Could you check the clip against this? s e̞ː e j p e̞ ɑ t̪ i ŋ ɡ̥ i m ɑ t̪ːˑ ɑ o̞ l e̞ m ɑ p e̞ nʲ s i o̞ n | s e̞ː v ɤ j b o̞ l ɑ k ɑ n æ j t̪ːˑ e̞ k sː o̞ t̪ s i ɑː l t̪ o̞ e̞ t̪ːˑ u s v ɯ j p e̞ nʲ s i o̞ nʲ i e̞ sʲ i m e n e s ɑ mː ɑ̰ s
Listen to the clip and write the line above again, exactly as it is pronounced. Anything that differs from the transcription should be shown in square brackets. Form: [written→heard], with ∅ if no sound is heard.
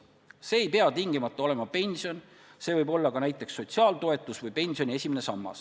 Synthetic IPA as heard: s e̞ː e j p e̞ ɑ t̪ i ŋ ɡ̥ i m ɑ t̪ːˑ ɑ o̞ l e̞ m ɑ p e̞ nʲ s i o̞ n | s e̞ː v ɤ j b o̞ [l→lː] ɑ k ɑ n æ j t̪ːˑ e̞ k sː o̞ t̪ s i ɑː l t̪ o̞ e̞ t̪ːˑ u s v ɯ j p e̞ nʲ s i o̞ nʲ i e̞ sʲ i m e n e s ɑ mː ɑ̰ s

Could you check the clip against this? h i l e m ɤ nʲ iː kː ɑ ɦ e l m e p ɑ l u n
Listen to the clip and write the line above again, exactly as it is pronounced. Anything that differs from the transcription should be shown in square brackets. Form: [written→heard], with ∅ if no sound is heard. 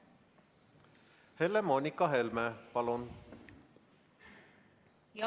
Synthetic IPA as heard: h [i→e] l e m [ɤ→o] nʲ [iː→i] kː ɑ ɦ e l m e p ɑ l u n

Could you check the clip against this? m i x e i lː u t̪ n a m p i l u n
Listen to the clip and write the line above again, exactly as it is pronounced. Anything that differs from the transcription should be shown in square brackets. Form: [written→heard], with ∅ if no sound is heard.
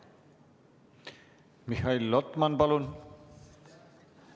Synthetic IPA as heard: m i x [e→a] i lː [u→ɔ] t̪ [n→m] a [m→n] p [i→a] l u n

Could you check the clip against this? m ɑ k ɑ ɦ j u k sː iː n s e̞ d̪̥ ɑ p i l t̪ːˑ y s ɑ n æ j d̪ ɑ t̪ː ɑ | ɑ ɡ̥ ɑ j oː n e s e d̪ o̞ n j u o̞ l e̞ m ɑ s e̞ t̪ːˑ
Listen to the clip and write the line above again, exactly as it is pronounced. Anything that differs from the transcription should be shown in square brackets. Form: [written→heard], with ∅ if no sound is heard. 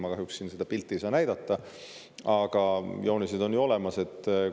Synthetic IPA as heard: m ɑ k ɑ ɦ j u k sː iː n s e̞ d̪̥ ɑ p i l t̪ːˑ [y→i] s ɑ n æ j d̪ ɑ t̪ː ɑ | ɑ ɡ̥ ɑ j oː n [e→i] s e d̪ o̞ n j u o̞ l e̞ m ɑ s e̞ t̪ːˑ

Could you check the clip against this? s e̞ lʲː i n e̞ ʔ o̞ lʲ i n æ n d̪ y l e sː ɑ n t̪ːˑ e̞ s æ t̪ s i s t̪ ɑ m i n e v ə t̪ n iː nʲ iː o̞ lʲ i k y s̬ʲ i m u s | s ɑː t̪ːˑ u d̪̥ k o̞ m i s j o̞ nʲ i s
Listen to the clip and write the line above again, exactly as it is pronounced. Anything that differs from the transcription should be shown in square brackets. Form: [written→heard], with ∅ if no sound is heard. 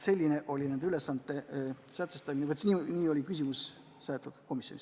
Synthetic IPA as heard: s e̞ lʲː i n e̞ ʔ o̞ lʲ i n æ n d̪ y l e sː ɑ n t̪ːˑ e̞ s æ t̪ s [i→e] s t̪ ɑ m i n e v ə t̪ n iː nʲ iː o̞ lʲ i k y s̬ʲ i m u s | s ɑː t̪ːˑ u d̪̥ k o̞ m i s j o̞ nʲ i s

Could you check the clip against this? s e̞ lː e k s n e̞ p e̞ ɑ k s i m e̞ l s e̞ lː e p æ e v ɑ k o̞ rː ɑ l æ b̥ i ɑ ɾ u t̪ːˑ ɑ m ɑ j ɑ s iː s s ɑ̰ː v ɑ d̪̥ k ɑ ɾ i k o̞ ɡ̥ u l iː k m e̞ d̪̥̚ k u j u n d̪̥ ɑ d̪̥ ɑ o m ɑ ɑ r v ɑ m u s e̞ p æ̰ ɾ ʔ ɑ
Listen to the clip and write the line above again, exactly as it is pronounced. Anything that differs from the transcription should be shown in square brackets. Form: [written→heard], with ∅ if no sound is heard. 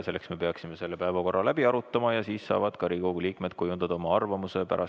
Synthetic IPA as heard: s e̞ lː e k s [n→m] e̞ p e̞ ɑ k s i m e̞ [l→∅] s e̞ lː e p æ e v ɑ k o̞ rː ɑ l æ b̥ i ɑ ɾ u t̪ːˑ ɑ m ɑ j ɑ s iː s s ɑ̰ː v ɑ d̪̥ k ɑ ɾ i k o̞ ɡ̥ u l iː k m e̞ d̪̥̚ k u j u n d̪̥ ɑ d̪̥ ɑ o m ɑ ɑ r v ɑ m u s e̞ p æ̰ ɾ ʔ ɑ

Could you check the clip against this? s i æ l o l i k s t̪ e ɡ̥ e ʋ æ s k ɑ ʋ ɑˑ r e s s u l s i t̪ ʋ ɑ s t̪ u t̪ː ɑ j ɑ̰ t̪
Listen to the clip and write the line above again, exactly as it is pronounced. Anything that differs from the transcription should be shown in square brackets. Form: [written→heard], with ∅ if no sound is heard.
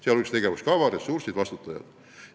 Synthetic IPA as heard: s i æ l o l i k s t̪ e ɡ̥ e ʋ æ s k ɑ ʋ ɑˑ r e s s u [l→r] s i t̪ ʋ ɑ s t̪ u t̪ː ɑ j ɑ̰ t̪

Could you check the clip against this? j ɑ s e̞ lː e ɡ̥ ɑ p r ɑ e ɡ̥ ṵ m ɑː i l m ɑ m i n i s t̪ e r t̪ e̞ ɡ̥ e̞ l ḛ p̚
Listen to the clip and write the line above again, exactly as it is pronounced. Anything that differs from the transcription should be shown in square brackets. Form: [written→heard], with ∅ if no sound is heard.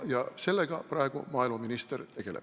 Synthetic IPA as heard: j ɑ s e̞ lː e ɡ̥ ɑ p r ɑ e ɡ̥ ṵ m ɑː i l m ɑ m i n i s t̪ e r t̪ e̞ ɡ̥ e̞ l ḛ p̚

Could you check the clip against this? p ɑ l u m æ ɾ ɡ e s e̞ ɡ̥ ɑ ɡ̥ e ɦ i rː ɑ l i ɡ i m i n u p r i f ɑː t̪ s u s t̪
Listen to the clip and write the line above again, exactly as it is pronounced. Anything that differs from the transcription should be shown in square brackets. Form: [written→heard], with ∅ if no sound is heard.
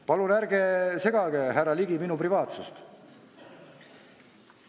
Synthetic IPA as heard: p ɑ l u [m→n] æ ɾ ɡ e s e̞ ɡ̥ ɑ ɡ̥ e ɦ [i→æ] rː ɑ l i ɡ i m i n u p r i [f→v] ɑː t̪ s u s t̪

